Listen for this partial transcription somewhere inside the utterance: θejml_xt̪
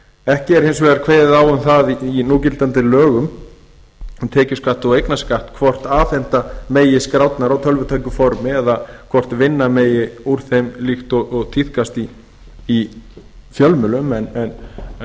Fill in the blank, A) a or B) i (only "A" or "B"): B